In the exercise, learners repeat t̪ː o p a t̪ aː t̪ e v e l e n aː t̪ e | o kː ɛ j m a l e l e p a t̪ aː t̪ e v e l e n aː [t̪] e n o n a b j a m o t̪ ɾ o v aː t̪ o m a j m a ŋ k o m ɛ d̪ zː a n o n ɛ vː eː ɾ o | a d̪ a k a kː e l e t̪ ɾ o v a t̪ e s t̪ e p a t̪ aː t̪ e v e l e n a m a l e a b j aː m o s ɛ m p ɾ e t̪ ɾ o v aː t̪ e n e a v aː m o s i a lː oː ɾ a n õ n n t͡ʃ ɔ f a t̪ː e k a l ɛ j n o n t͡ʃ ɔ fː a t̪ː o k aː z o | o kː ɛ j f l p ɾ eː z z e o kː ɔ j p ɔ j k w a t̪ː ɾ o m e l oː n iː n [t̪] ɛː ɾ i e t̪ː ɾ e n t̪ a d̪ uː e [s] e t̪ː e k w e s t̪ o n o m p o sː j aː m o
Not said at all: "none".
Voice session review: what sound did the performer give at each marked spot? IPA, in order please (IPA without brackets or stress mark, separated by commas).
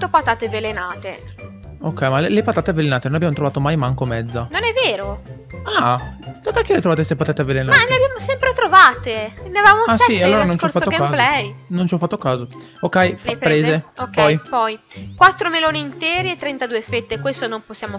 t̪, t̪, f